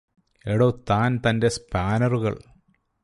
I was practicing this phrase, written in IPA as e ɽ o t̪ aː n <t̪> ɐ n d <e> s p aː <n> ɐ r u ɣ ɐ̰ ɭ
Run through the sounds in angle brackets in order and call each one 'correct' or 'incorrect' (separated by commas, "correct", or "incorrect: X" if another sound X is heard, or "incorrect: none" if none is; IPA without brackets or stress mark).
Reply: correct, correct, correct